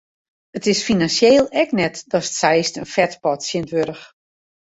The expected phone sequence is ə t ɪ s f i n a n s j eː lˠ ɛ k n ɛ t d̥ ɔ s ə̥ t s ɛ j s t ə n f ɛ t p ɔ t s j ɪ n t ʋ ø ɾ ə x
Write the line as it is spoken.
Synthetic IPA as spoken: ə t ɪ s f i n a n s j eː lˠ ɛ k n ɛ t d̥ ɔ s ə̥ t s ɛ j s t ə n f ɛ t p ɔ t s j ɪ n t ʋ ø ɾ ə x